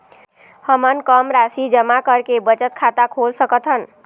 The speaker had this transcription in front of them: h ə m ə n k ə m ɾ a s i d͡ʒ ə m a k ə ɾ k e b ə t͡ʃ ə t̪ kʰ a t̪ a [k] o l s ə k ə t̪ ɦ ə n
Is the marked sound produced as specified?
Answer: no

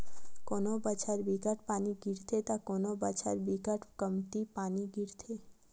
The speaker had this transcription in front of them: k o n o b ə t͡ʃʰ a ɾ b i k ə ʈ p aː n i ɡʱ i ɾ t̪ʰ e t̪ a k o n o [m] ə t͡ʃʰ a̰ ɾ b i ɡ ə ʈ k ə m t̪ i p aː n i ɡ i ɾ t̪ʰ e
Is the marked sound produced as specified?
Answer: no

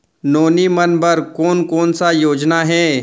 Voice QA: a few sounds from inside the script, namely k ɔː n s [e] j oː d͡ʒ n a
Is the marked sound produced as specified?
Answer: no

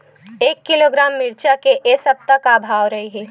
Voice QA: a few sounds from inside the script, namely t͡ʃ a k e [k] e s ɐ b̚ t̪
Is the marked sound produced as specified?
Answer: no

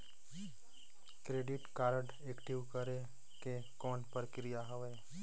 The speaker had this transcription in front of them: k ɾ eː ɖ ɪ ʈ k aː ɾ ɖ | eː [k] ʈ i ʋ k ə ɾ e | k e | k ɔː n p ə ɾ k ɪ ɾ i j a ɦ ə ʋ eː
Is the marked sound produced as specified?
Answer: yes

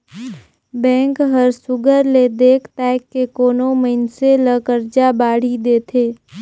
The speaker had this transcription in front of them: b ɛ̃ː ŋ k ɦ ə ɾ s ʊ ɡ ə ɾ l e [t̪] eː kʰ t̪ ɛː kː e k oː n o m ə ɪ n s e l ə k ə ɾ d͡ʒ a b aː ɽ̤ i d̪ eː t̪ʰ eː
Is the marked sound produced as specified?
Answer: no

